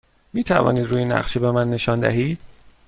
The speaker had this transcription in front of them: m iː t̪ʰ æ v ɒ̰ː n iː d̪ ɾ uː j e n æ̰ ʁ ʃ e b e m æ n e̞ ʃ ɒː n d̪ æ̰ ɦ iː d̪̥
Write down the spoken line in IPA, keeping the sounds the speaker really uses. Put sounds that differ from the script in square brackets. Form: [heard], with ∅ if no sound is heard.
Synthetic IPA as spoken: m iː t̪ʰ æ v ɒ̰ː n iː d̪ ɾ uː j e n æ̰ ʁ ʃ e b e m æ [nː] e̞ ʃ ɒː n d̪ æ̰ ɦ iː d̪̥